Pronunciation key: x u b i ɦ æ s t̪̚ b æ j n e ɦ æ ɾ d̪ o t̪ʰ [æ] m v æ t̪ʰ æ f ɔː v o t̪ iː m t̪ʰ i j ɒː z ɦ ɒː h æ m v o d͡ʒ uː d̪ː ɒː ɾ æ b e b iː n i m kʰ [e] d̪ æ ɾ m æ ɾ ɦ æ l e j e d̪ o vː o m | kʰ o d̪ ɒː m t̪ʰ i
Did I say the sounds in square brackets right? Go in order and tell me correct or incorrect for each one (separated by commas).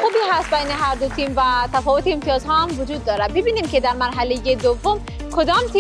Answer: incorrect, correct